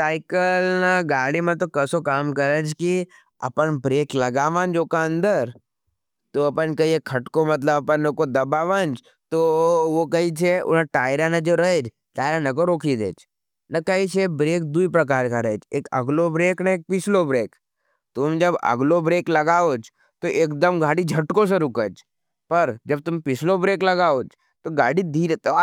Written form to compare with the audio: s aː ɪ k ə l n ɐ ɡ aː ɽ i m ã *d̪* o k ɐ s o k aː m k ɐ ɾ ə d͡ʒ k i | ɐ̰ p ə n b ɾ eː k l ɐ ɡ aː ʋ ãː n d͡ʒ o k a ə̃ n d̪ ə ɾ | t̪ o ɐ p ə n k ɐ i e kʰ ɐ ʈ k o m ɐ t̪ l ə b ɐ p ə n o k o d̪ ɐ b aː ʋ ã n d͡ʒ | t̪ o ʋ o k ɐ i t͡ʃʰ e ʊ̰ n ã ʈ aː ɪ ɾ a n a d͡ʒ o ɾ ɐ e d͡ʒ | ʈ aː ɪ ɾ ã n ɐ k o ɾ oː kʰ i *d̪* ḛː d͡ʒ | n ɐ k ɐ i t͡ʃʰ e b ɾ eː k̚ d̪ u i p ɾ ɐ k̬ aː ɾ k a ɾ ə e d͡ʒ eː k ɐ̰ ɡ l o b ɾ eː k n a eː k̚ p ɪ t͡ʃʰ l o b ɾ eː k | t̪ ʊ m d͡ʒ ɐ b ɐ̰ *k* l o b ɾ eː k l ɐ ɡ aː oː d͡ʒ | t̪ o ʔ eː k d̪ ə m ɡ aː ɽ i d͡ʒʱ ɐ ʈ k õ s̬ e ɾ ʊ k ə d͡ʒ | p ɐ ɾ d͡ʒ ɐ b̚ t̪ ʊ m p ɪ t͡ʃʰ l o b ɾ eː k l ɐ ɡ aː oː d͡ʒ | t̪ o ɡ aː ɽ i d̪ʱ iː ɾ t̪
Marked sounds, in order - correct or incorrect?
incorrect: t̪, correct, incorrect: ɡ

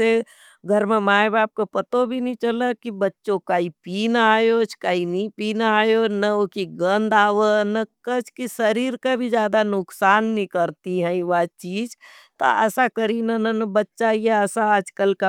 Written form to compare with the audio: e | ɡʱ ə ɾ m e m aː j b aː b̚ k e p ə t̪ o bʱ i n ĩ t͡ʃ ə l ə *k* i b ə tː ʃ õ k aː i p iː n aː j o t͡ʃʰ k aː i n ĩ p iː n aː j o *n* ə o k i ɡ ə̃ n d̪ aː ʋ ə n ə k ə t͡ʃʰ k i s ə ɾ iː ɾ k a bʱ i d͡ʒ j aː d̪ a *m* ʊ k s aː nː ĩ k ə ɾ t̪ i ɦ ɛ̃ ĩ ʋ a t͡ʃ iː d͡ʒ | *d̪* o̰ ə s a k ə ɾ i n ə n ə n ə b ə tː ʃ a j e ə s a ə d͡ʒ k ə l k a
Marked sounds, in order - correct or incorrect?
correct, correct, incorrect: n, incorrect: t̪

